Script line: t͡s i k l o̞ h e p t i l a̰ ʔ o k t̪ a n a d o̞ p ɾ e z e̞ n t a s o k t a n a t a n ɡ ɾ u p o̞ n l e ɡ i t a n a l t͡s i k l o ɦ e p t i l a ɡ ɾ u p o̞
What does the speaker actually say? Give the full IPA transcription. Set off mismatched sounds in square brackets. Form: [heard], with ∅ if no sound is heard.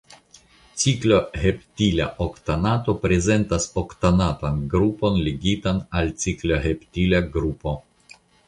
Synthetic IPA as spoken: t͡s i k l o̞ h e p t i l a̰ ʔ o k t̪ a n a [t] o̞ p ɾ e z e̞ n t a s o k t a n a t a n ɡ ɾ u p o̞ n l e ɡ i t a n a l t͡s i k l o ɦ e p t i l a ɡ ɾ u p o̞